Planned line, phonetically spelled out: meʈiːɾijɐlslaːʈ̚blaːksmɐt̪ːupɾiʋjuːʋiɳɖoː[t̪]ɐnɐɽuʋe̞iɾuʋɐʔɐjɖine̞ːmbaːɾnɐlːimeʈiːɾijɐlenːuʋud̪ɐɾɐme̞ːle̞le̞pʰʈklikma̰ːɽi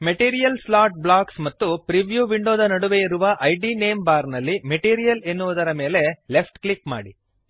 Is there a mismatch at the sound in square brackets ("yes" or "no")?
yes